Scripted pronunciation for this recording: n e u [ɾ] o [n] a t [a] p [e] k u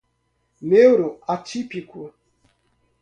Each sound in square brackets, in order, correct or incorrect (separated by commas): correct, incorrect, incorrect, incorrect